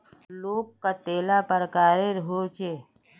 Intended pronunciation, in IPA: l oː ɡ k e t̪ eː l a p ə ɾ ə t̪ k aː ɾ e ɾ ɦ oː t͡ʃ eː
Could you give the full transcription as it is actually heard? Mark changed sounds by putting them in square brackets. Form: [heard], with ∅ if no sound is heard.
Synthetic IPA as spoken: l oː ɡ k [a] t̪ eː l a p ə ɾ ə [∅] k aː ɾ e ɾ ɦ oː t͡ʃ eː